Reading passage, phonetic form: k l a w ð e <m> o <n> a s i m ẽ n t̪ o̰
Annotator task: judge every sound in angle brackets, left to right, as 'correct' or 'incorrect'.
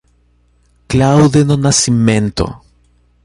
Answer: incorrect, correct

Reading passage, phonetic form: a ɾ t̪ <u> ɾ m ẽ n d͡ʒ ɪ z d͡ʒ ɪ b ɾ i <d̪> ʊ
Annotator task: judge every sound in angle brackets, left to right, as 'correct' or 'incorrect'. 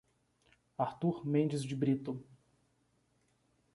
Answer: correct, incorrect

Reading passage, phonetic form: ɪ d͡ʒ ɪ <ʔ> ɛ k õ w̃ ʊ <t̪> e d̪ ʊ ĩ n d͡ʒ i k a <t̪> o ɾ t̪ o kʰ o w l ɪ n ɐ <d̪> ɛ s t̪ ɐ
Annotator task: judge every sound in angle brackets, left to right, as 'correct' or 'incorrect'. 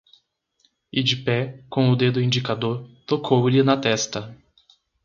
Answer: incorrect, incorrect, incorrect, incorrect

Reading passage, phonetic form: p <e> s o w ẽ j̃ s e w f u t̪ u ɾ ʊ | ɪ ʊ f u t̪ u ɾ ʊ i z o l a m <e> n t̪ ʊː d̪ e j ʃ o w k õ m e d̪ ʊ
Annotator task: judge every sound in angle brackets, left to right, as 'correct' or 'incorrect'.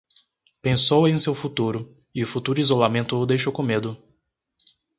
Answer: incorrect, incorrect

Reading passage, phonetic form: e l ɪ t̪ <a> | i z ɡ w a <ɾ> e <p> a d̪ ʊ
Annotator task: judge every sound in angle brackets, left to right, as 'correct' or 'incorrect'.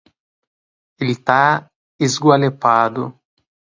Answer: correct, incorrect, correct

